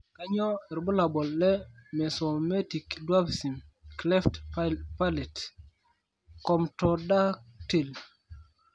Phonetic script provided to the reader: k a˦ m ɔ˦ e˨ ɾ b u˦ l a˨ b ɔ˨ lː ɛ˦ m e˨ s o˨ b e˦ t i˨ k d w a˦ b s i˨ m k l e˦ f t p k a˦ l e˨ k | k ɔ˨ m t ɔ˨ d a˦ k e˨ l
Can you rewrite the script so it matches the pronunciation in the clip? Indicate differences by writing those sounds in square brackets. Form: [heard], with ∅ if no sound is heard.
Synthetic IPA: k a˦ [ɲ] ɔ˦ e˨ ɾ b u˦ l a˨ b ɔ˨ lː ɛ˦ m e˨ s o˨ [m] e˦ t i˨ k d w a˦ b s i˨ m k l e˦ f t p [p] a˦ l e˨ [t] | k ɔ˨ m t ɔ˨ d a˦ [t] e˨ l